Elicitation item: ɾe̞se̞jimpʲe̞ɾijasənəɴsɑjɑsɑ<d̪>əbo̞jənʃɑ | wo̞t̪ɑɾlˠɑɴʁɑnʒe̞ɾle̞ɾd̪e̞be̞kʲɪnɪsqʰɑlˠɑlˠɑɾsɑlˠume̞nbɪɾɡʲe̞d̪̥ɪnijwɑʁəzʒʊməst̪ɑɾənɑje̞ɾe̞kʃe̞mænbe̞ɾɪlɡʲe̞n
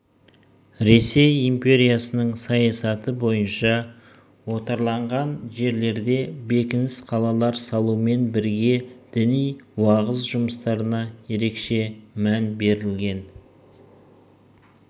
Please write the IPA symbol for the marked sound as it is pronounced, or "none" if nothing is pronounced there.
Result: t̪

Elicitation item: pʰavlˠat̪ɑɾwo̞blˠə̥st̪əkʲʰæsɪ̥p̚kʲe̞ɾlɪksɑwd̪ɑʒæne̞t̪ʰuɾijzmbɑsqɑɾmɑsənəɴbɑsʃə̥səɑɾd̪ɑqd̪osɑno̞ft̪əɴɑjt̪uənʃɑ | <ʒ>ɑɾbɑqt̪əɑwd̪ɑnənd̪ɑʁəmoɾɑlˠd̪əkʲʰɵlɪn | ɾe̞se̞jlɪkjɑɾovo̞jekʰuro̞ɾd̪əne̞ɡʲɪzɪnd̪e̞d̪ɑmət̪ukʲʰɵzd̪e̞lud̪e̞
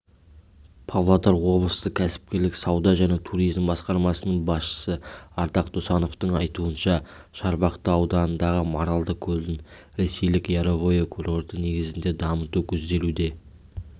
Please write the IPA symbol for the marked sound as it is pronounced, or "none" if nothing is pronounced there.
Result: ʃ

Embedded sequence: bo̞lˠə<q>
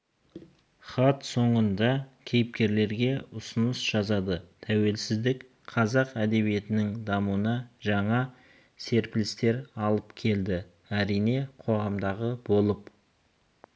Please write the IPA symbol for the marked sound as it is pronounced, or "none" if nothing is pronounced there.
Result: p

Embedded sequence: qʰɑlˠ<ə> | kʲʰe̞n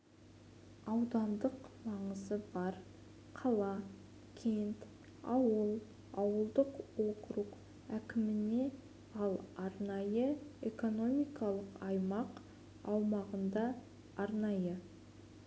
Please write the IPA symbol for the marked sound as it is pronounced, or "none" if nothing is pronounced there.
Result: ɑ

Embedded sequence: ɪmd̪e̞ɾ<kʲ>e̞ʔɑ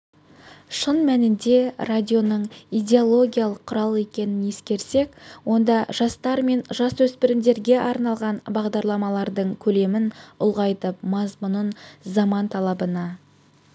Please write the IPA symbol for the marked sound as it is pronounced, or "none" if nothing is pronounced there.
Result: ɡʲ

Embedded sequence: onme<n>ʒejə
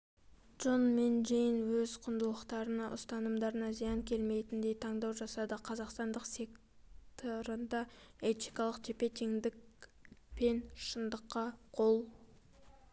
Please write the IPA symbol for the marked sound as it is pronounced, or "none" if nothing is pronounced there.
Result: n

